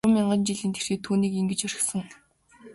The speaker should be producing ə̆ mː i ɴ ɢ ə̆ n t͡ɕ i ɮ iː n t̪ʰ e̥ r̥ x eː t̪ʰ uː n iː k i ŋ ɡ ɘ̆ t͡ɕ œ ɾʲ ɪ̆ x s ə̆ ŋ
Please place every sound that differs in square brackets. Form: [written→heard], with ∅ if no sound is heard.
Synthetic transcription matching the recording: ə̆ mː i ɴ ɢ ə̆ n t͡ɕ i ɮ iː n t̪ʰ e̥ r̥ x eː t̪ʰ uː n iː k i ŋ ɡ ɘ̆ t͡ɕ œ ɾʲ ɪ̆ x s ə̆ ŋ